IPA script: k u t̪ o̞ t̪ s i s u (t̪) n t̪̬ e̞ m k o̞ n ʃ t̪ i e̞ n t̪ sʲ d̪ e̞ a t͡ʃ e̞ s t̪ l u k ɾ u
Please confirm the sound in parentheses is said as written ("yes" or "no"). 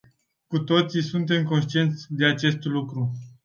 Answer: no